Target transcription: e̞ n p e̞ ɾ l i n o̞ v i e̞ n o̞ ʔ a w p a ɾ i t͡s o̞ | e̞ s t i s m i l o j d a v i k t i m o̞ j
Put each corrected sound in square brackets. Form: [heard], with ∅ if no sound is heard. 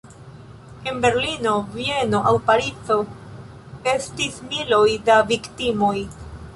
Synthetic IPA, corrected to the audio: e̞ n [b] e̞ ɾ l i n o̞ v i e̞ n o̞ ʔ a w p a ɾ i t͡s o̞ | e̞ s t i s m i l o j d a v i k t i m o̞ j

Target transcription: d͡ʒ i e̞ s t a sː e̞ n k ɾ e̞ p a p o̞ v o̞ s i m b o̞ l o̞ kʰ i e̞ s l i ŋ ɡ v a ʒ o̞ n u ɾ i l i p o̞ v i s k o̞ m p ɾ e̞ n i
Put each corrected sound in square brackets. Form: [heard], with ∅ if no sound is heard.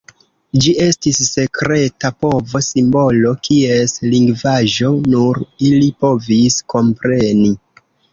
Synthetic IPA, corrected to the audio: d͡ʒ i e̞ s t [i] sː e̞ [∅] k ɾ e̞ [t] a p o̞ v o̞ s i m b o̞ l o̞ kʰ i e̞ s l i ŋ ɡ v a ʒ o̞ n u ɾ i l i p o̞ v i s k o̞ m p ɾ e̞ n i

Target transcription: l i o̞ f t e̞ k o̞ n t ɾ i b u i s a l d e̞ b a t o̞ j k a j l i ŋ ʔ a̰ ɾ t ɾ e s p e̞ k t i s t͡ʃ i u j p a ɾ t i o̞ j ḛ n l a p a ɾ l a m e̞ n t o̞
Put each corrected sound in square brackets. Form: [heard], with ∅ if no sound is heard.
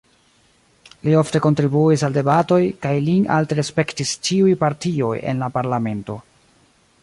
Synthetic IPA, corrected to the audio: l i o̞ f t e̞ k o̞ n t ɾ i b u i s a l d e̞ b a t o̞ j k a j l i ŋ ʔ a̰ [l] t ɾ e s p e̞ k t i s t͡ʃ i u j p a ɾ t i o̞ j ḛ n l a p a ɾ l a m e̞ n t o̞

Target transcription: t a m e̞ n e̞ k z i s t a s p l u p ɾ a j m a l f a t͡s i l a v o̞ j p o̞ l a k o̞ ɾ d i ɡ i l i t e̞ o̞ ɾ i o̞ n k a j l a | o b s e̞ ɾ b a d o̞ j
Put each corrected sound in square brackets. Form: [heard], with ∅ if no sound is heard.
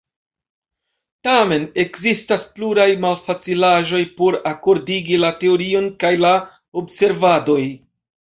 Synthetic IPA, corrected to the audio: t a m e̞ n e̞ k z i s t a s p l u [∅] ɾ a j m a l f a t͡s i l a [ʒ] o̞ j p o̞ [ɾ] a k o̞ ɾ d i ɡ i l [a] t e̞ o̞ ɾ i o̞ n k a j l a | o b s e̞ ɾ [v] a d o̞ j

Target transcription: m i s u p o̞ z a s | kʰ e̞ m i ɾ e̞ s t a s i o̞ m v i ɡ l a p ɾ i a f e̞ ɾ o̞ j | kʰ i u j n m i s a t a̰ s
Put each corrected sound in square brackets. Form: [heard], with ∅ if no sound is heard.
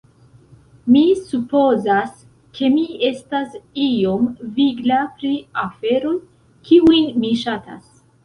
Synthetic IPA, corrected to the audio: m i s u p o̞ z a s | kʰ e̞ m i [∅] e̞ s t a s i o̞ m v i ɡ l a p ɾ i a f e̞ ɾ o̞ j | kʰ i u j n m i [ʃ] a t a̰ s

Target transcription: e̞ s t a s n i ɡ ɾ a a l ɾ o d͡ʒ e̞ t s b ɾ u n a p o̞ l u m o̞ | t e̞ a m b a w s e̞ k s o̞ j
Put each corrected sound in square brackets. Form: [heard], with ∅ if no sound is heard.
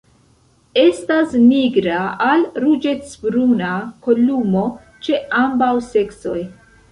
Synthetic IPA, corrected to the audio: e̞ s t a s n i ɡ ɾ a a l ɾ [u] d͡ʒ e̞ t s b ɾ u n a [k] o̞ l u m o̞ | [t͡ʃ] e̞ a m b a w s e̞ k s o̞ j

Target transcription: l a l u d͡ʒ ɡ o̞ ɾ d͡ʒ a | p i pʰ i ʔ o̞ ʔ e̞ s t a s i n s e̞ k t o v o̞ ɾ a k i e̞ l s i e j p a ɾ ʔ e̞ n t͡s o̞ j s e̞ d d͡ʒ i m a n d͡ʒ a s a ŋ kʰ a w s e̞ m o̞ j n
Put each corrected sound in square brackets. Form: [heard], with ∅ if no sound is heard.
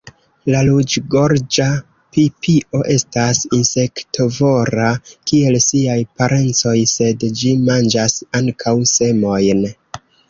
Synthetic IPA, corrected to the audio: l a l u d͡ʒ ɡ o̞ ɾ d͡ʒ a | p i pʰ i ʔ o̞ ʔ e̞ s t a s i n s e̞ k t o v o̞ ɾ a k i e̞ l s i [a] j p a ɾ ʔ e̞ n t͡s o̞ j s e̞ d d͡ʒ i m a n d͡ʒ a s a ŋ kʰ a w s e̞ m o̞ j n

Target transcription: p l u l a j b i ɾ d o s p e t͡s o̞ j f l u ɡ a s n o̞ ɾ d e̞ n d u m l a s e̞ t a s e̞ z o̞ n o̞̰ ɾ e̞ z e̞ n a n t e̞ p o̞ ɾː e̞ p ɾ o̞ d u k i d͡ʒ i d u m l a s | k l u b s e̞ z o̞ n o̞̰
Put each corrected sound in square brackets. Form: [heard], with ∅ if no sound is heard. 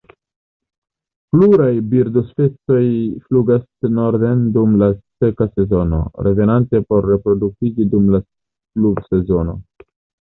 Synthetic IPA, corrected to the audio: p l u [ɾ] a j b i ɾ d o s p e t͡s o̞ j f l u ɡ a s n o̞ ɾ d e̞ n d u m l a s e̞ [k] a s e̞ z o̞ n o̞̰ ɾ e̞ [v] e̞ n a n t e̞ p o̞ ɾː e̞ p ɾ o̞ d u k i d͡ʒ i d u m l a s | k l u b s e̞ z o̞ n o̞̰

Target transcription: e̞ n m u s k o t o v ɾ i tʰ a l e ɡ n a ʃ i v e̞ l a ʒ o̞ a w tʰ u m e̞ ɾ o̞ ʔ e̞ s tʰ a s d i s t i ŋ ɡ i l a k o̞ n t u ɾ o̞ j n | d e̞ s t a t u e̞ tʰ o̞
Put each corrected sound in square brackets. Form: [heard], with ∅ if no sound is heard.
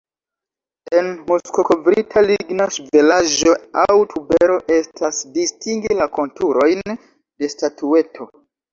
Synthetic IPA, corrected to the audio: e̞ n m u s k o [k] o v ɾ i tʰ a l [i] ɡ n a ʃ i v e̞ l a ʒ o̞ a w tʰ u [b] e̞ ɾ o̞ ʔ e̞ s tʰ a s d i s t i ŋ ɡ i l a k o̞ n t u ɾ o̞ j n | d e̞ s t a t u e̞ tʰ o̞

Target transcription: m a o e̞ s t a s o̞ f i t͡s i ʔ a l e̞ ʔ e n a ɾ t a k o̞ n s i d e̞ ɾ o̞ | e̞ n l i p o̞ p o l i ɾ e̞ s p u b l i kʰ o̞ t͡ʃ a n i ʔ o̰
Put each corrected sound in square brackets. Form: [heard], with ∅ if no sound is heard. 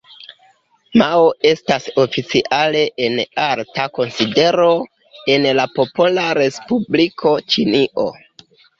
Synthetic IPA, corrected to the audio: m a o e̞ s t a s o̞ f i t͡s i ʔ a l e̞ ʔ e n a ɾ t a k o̞ n s i d e̞ ɾ o̞ | e̞ n l [a] p o̞ p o l [a] ɾ e̞ s p u b l i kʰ o̞ t͡ʃ [i] n i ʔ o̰

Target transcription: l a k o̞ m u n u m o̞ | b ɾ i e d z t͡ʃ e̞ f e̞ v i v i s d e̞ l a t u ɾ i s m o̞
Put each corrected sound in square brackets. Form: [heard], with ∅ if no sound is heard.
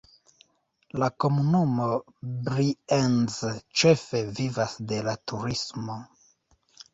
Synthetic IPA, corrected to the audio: l a k o̞ m u n u m o̞ | b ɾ i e [n] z t͡ʃ e̞ f e̞ v i v [a] s d e̞ l a t u ɾ i s m o̞

